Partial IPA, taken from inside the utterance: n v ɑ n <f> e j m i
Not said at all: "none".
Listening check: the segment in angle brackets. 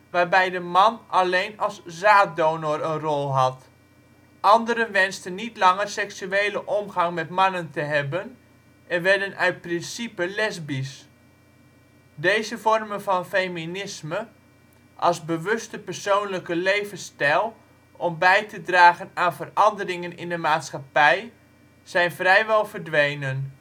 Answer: f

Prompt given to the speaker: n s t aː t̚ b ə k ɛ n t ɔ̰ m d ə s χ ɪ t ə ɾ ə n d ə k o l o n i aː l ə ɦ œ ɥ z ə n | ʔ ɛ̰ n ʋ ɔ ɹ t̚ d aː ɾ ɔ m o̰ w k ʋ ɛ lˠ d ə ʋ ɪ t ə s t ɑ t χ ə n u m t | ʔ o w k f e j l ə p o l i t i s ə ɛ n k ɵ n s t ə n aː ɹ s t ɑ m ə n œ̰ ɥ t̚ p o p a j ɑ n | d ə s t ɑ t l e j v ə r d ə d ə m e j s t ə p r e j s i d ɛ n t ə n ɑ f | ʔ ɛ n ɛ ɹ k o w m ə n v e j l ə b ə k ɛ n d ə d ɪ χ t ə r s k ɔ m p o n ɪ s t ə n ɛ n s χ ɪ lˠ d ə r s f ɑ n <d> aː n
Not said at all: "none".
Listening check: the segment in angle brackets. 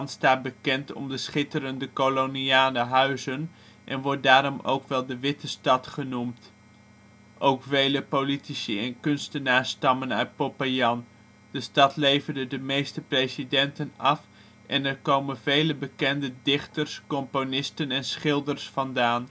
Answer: d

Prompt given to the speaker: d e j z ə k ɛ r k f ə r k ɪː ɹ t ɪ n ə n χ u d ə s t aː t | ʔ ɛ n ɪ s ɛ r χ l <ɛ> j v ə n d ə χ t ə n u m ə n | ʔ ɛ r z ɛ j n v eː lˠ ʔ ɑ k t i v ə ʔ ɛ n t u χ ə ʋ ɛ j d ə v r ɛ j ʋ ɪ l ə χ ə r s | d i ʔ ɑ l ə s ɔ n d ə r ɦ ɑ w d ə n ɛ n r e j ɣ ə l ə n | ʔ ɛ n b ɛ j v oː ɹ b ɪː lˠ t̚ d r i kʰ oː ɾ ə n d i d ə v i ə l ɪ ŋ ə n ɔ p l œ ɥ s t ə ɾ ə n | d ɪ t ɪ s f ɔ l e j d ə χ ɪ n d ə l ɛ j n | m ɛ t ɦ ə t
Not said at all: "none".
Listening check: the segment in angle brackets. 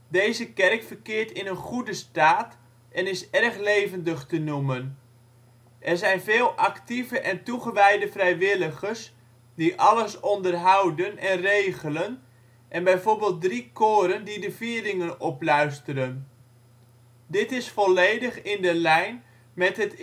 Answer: e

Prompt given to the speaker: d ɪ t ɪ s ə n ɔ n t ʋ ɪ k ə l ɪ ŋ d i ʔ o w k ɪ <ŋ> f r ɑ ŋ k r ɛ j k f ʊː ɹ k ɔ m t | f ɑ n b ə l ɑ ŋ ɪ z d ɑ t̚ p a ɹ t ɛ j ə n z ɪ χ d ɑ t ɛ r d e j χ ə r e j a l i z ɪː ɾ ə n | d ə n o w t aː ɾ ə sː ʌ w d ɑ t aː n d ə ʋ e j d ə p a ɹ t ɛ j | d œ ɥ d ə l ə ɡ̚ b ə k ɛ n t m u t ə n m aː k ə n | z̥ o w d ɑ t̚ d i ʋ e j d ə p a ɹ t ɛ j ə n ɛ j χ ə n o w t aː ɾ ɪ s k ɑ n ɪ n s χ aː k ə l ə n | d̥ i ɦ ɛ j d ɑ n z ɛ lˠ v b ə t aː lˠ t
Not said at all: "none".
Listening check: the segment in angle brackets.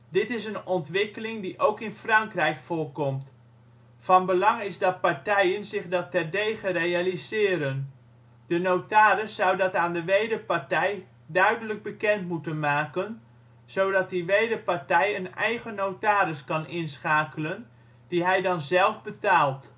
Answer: n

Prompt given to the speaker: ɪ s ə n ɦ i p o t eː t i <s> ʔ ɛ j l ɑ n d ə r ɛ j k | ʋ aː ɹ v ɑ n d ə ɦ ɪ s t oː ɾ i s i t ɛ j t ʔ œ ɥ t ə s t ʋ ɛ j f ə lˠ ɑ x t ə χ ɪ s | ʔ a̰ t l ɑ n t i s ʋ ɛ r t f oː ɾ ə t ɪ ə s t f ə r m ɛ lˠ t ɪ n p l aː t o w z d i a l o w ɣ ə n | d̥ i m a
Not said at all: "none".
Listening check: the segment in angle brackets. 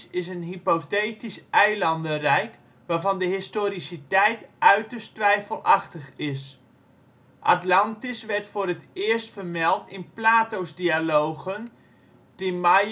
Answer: s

